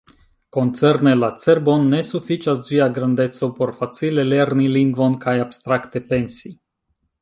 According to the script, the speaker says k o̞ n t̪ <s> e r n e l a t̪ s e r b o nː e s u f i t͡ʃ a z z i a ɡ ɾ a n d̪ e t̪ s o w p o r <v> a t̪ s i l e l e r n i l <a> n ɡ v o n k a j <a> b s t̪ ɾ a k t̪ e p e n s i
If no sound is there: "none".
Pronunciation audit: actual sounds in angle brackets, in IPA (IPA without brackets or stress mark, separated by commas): s, f, i, a